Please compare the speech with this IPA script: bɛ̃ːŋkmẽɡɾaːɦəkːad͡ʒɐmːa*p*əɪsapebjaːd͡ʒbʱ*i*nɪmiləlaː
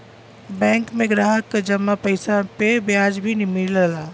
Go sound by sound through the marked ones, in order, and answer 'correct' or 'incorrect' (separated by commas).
correct, correct